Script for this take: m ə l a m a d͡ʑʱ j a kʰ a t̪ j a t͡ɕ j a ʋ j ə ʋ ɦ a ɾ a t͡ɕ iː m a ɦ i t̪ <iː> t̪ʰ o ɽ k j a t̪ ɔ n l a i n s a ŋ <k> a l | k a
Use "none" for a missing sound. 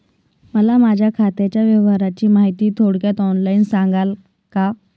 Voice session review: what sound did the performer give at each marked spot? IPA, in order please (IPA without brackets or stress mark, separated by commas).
iː, ɡ